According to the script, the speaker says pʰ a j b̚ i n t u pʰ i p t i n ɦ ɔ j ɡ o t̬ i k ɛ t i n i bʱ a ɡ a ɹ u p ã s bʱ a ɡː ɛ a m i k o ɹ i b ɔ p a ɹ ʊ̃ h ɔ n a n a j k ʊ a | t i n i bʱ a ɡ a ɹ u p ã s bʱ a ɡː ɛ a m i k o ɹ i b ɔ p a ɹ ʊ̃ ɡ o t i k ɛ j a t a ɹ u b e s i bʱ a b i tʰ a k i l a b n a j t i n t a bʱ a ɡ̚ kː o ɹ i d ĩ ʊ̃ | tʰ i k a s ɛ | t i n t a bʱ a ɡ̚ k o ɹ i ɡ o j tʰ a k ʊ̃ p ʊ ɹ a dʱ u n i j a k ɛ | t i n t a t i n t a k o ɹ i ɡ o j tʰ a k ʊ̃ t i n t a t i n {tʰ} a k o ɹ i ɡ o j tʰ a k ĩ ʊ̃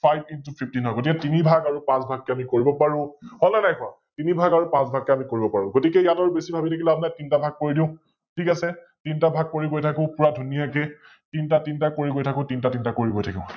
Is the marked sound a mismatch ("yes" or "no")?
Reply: yes